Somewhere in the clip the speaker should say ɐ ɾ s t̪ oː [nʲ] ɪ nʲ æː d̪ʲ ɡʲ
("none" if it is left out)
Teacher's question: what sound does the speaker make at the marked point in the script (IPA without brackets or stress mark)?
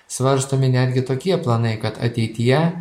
mʲ